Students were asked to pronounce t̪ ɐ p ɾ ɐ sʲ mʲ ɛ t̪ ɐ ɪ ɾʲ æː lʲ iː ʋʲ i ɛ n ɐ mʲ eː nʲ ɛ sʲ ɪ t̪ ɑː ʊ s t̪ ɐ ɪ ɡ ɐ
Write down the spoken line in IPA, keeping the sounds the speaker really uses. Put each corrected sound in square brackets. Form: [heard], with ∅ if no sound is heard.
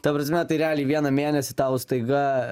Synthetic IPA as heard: t̪ ɐ p ɾ ɐ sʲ mʲ ɛ t̪ ɐ ɪ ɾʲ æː lʲ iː ʋʲ i ɛ n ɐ mʲ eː nʲ ɛ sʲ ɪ t̪ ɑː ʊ s t̪ ɐ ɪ ɡ ɐ